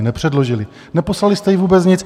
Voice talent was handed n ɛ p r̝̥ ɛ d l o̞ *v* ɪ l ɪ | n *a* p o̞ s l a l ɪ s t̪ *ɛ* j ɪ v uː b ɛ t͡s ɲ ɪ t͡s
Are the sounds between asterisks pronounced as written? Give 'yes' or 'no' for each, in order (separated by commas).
no, no, yes